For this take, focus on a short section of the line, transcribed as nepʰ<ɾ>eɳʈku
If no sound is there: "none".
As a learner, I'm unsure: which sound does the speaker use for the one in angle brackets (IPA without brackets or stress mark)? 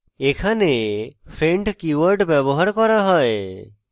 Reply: ɾ